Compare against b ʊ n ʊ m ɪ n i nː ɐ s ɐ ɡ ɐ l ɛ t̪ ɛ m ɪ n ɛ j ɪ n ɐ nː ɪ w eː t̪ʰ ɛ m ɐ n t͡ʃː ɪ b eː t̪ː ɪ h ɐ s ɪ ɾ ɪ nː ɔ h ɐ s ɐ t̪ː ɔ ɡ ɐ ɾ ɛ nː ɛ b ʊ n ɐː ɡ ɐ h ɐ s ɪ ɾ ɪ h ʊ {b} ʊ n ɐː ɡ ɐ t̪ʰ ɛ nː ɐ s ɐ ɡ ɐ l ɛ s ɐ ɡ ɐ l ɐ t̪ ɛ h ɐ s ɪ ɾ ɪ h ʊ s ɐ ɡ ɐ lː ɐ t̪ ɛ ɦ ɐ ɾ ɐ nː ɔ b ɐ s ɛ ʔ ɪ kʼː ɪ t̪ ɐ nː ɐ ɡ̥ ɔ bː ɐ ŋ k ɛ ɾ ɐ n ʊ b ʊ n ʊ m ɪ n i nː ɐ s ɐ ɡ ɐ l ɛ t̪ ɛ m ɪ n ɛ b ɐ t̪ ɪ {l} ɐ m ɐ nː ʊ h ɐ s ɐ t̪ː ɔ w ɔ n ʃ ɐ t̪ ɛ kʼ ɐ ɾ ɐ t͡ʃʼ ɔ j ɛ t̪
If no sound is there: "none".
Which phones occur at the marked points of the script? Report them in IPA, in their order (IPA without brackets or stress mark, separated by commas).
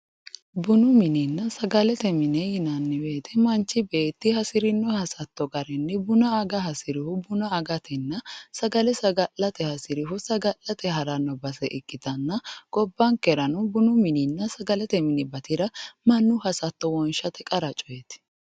b, ɾ